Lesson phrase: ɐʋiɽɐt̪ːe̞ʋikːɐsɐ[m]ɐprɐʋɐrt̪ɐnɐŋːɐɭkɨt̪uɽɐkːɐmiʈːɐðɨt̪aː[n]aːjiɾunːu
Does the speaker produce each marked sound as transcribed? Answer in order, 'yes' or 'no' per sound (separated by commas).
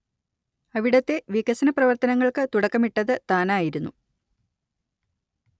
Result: no, yes